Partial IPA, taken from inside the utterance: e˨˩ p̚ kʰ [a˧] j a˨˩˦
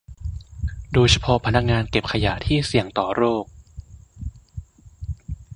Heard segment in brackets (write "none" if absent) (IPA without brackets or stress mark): a˧